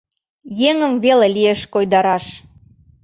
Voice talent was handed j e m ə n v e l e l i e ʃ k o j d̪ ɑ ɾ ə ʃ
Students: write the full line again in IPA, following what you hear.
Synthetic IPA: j e ŋ ə m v e l e l i e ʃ k o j d̪ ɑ ɾ ɑ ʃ